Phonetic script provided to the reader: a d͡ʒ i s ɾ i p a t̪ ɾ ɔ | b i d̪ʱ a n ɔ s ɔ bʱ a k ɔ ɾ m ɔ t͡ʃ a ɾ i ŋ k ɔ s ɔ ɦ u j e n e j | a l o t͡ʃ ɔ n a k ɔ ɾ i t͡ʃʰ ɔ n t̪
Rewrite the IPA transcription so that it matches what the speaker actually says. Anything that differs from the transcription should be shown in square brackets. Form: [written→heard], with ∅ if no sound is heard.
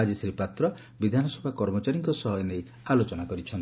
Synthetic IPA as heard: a d͡ʒ i s ɾ i p a t̪ ɾ ɔ | b i d̪ʱ a n ɔ s ɔ bʱ a k ɔ ɾ m ɔ t͡ʃ a ɾ i ŋ k ɔ s ɔ ɦ [u→ɔ] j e n e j | a l o t͡ʃ ɔ n a k ɔ ɾ i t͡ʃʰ ɔ n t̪